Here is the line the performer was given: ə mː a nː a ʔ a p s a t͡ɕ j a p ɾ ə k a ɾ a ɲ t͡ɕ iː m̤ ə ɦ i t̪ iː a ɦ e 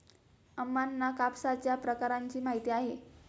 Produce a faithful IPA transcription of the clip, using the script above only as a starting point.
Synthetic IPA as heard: ə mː a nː a k a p s a t͡ɕ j a p ɾ ə k a ɾ a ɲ t͡ɕ iː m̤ a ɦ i t̪ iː a ɦ e